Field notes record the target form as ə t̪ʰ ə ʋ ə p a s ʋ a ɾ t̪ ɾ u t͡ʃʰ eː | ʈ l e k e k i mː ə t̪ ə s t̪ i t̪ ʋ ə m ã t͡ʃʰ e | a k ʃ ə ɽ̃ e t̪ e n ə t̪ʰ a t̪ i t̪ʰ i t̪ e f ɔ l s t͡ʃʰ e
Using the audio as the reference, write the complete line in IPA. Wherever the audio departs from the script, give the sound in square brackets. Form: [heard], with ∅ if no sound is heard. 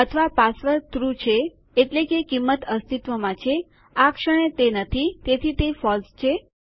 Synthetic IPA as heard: ə t̪ʰ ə ʋ [a] p a s ʋ [ə] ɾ t̪ ɾ u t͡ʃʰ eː | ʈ l e k e k i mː ə t̪ ə s t̪ i t̪ ʋ ə m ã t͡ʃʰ e | a k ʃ ə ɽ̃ e t̪ e n ə t̪ʰ [i] t̪ [e] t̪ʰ i t̪ e f ɔ l s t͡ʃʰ e